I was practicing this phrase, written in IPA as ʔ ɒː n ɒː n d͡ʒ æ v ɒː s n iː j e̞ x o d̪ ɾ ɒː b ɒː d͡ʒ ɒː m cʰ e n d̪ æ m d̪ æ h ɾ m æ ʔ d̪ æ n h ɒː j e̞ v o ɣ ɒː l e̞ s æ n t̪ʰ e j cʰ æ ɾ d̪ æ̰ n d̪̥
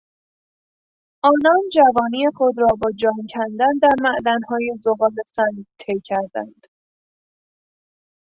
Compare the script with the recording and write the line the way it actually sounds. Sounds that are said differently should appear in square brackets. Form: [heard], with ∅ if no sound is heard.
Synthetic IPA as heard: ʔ ɒː n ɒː n d͡ʒ æ v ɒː [∅] n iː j e̞ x o d̪ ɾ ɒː b ɒː d͡ʒ ɒː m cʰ [æ] n d̪ æ [n] d̪ æ [∅] ɾ m æ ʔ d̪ æ n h ɒː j e̞ [z] o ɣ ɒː l e̞ s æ n t̪ʰ e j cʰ æ ɾ d̪ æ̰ n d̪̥